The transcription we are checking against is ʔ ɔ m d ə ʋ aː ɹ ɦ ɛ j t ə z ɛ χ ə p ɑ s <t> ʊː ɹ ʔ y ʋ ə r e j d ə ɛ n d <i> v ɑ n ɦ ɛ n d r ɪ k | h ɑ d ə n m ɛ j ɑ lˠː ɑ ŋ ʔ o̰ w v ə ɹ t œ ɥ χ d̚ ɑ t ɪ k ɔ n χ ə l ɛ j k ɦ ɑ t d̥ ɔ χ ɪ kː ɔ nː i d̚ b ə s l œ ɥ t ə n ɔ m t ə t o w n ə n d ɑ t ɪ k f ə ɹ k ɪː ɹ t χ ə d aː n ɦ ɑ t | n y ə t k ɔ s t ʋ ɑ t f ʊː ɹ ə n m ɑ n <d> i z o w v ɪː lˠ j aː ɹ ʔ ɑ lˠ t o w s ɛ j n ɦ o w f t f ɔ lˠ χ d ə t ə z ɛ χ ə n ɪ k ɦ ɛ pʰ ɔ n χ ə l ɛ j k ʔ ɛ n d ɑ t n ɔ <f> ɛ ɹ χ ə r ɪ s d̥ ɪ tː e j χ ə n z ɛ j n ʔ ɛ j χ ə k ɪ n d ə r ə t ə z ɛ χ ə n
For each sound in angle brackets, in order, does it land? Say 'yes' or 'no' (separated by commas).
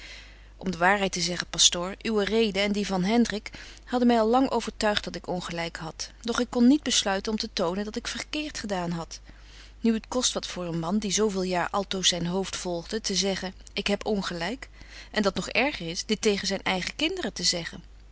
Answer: yes, yes, yes, no